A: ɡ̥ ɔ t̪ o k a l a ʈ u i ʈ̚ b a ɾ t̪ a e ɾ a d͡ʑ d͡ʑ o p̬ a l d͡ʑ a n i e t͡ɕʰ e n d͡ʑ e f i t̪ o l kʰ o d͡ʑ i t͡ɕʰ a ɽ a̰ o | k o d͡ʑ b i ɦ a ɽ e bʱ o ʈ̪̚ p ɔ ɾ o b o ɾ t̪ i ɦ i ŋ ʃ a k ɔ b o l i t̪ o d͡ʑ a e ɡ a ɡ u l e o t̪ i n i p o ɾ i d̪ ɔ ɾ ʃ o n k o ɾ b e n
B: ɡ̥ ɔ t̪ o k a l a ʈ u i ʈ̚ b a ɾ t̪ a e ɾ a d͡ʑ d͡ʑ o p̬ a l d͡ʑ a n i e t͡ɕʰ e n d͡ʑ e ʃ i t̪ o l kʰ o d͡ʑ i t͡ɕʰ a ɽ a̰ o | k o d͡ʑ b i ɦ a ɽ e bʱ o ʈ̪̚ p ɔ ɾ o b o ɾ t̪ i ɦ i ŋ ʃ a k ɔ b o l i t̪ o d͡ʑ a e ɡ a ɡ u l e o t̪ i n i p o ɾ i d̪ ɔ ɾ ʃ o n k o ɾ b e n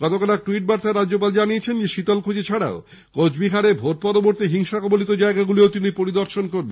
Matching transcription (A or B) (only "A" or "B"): B